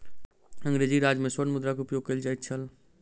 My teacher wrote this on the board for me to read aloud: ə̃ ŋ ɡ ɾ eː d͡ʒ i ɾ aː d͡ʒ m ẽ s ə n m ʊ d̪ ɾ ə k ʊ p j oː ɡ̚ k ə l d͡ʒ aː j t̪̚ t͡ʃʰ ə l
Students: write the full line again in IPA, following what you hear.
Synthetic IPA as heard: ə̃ ŋ ɡ ɾ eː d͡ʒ i ɾ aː d͡ʒ m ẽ s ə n m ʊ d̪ ɾ a k ʊ p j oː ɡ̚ k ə l d͡ʒ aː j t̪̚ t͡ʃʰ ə l